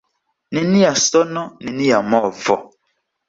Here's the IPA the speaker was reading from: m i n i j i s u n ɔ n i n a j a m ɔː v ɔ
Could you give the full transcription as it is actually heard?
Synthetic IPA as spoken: n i n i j a s ɔ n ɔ n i n i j a m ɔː v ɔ